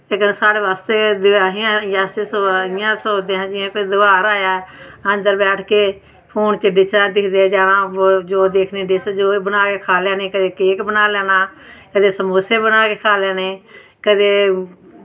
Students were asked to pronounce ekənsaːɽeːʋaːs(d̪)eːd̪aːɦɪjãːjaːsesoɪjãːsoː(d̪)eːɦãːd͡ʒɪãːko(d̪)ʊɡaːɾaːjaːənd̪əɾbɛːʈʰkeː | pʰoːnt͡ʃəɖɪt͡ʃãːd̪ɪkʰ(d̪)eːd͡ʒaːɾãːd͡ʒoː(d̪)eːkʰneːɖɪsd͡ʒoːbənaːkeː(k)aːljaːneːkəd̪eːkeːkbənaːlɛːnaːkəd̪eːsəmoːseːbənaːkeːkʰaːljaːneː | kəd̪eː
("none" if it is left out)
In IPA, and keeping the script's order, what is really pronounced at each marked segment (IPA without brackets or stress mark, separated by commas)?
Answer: t̪, d̪, d̪, d̪, d̪, kʰ